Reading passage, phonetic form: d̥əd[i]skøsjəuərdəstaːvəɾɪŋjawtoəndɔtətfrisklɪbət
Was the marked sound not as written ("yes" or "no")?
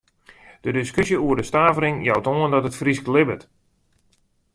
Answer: yes